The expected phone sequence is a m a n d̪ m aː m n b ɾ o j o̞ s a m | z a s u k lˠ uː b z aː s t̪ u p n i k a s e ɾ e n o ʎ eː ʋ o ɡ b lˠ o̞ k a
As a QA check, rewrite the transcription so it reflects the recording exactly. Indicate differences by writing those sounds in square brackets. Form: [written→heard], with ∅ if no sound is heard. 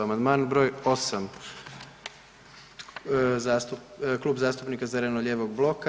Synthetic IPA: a m a n d̪ m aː [m→∅] n b ɾ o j o̞ s a m | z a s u k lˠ uː b z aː s t̪ u p n i k a [s→z] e ɾ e n o ʎ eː ʋ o ɡ b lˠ o̞ k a